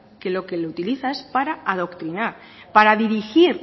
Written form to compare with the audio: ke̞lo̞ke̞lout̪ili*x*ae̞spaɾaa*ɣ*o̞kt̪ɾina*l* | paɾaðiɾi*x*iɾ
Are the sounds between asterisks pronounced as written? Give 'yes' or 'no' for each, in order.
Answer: no, no, no, yes

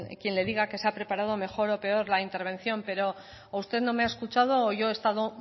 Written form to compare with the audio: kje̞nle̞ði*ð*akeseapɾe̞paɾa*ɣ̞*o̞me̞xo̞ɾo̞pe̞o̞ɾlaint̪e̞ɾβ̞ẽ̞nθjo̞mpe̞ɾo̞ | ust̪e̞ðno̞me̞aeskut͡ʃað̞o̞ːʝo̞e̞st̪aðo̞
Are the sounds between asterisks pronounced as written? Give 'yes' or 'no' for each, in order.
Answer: no, no

